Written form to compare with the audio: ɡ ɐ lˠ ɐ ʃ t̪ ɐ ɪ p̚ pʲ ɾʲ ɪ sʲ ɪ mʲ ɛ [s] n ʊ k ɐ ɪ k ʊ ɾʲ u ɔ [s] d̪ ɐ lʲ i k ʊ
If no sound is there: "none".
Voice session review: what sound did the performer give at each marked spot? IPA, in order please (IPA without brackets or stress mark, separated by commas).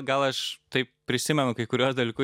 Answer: none, s